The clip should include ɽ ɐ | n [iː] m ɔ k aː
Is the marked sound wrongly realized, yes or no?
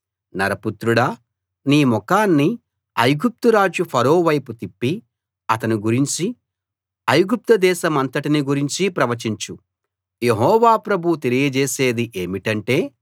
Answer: no